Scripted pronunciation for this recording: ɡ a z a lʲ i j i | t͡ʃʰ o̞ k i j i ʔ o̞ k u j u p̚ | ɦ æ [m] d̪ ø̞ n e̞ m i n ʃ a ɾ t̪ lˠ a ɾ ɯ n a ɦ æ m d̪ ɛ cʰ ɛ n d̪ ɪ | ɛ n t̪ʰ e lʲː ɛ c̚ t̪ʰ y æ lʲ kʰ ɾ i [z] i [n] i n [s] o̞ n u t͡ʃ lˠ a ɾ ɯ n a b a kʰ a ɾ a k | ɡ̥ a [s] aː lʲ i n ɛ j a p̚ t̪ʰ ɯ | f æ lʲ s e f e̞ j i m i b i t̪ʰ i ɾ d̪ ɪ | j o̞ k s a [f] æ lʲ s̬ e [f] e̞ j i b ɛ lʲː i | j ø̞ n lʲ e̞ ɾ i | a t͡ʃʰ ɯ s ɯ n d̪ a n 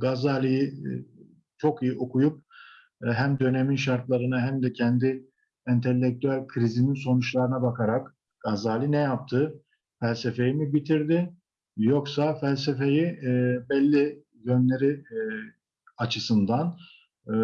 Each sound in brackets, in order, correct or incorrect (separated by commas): correct, correct, correct, correct, incorrect, correct, correct